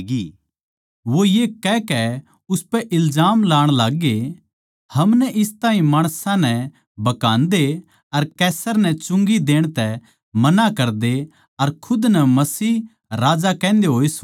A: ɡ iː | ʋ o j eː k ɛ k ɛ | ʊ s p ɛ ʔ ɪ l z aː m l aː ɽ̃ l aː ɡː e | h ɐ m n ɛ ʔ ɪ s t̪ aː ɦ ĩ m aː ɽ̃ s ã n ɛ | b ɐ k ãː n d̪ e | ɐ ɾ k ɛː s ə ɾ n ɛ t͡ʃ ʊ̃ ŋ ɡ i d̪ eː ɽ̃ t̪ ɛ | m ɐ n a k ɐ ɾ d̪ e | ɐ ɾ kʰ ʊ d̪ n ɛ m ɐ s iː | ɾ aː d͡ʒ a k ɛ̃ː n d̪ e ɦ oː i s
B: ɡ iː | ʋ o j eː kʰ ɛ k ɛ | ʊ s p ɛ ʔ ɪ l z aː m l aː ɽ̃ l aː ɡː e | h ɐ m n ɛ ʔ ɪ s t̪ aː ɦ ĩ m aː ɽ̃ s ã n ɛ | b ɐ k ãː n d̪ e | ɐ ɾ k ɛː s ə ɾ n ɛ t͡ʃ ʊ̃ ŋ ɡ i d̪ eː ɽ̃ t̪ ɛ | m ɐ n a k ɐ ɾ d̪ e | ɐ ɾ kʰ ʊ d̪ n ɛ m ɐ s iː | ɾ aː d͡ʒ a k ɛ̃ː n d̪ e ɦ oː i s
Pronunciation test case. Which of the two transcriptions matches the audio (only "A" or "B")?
A